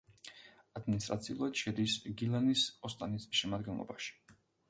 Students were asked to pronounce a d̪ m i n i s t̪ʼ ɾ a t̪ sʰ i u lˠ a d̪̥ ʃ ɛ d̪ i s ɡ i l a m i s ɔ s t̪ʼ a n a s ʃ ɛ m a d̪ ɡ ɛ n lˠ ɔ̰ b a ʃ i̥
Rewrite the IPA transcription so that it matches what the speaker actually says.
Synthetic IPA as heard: a d̪ m i n i s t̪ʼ ɾ a t̪ sʰ i u lˠ a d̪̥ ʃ ɛ d̪ i s ɡ i l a n i s ɔ s t̪ʼ a n i s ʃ ɛ m a d̪ ɡ ɛ n lˠ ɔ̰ b a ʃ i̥